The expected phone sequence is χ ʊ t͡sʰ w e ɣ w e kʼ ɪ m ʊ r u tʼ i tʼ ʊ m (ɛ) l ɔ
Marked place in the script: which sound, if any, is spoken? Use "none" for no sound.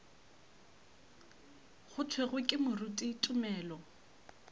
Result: ɛː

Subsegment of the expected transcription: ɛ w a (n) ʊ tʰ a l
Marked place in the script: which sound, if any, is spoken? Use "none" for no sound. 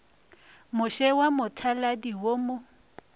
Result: m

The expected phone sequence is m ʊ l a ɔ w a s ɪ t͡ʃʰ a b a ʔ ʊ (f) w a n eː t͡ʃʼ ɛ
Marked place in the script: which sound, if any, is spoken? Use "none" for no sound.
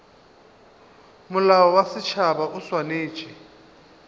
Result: s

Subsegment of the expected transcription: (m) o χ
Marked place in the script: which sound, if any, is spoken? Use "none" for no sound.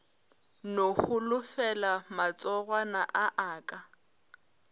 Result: n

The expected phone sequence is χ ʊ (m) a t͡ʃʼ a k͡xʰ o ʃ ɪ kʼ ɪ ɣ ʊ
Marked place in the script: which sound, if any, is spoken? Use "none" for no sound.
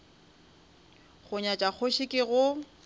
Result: ɲ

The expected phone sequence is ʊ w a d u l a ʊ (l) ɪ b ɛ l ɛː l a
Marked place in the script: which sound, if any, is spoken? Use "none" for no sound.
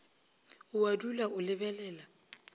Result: l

